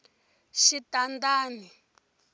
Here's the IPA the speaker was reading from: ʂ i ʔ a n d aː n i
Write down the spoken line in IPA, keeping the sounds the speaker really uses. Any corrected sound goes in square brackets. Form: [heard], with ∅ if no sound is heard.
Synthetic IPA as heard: [ʃ] i [t] a n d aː n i